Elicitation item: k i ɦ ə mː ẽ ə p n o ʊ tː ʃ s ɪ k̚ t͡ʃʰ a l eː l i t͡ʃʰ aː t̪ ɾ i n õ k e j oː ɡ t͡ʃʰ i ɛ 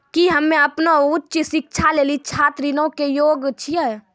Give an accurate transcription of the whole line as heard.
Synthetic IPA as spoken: k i ɦ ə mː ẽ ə p n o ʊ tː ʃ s ɪ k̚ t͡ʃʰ a l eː l i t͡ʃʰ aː t̪ ɾ i n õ k e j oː ɡ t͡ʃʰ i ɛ